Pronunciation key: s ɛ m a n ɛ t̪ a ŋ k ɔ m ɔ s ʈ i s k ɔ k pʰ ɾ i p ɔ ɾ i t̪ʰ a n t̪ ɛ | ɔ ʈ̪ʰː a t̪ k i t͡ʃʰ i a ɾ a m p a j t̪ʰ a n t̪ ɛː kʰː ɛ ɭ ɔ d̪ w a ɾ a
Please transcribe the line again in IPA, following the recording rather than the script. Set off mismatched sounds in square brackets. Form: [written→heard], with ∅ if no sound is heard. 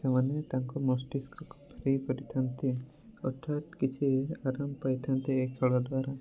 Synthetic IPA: s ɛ m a n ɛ t̪ a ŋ k ɔ m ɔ s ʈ i s k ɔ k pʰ ɾ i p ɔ ɾ i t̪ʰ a n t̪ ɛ | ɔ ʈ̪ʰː a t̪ k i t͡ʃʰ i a ɾ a m p a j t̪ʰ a n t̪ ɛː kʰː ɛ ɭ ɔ d̪ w a ɾ a